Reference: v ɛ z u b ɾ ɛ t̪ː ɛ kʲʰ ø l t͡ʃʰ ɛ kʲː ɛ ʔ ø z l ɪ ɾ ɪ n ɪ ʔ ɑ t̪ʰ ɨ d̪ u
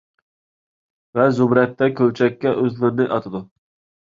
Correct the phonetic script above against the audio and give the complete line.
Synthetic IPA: v ɛ z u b ɾ ɛ t̪ː ɛ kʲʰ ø l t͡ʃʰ ɛ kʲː ɛ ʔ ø z l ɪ ɾ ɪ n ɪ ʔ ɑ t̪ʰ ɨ d̪ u